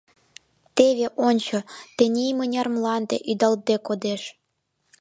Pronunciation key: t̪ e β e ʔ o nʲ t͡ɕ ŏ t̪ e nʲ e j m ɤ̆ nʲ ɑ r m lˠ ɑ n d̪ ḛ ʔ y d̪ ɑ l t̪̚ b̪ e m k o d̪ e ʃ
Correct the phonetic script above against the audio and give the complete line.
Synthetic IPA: t̪ e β e ʔ o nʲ t͡ɕ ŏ t̪ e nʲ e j m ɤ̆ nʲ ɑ r m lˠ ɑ n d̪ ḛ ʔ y d̪ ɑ l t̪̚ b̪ e k o d̪ e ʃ